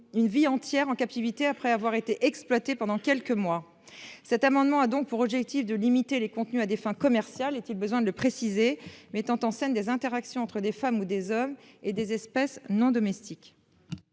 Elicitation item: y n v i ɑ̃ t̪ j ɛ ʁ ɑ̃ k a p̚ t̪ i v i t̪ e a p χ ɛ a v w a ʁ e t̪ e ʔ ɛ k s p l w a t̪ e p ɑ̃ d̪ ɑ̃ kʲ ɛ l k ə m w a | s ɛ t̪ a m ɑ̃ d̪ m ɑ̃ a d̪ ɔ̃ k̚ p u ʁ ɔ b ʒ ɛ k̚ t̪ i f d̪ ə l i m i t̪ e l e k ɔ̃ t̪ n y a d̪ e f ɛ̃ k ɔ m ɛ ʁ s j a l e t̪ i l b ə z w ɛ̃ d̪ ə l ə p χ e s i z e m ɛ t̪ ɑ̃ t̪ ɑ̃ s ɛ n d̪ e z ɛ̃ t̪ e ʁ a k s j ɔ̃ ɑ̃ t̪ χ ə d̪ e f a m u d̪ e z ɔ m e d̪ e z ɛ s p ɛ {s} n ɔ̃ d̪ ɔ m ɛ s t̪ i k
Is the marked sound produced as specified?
yes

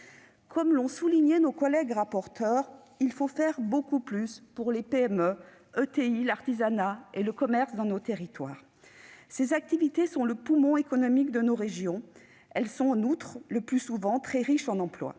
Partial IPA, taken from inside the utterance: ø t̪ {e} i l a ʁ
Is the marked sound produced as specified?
yes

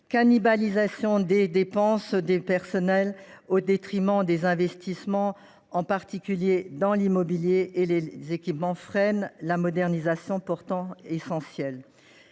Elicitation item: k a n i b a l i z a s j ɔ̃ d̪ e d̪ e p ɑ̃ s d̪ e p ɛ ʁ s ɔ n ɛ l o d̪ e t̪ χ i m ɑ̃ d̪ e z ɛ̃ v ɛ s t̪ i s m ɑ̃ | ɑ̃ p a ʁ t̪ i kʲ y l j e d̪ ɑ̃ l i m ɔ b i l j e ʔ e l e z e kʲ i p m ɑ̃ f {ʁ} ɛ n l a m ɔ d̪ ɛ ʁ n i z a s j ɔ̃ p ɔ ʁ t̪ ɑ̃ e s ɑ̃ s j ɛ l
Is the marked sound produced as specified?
no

